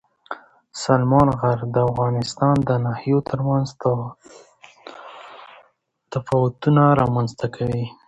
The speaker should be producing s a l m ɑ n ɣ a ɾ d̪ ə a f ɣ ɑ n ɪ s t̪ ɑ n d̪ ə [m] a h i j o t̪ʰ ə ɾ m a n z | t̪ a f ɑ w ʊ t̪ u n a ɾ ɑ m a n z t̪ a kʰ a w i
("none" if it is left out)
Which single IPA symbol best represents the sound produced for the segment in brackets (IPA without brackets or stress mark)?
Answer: n